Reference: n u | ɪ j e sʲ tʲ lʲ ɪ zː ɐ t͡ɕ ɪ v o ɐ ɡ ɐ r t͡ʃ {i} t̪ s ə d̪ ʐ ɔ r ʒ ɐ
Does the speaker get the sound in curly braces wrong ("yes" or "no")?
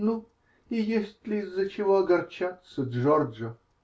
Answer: yes